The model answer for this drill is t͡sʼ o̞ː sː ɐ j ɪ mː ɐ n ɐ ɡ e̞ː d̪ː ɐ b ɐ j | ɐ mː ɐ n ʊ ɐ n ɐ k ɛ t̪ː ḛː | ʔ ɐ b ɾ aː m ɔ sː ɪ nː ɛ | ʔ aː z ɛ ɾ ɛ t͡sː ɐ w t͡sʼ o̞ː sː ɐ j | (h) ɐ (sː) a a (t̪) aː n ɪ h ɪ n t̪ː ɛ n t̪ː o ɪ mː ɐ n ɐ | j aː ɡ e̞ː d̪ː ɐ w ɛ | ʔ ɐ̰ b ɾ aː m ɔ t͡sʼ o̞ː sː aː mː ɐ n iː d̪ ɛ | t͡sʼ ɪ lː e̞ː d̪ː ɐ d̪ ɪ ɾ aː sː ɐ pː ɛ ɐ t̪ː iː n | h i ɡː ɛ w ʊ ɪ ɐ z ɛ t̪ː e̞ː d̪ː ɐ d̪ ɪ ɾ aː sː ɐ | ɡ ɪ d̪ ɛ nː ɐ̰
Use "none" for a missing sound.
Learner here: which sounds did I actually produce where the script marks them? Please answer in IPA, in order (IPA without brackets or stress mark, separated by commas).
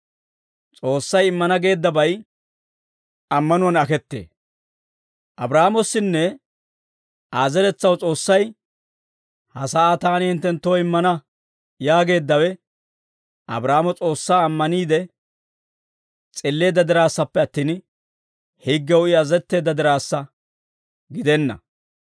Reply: h, s, t̪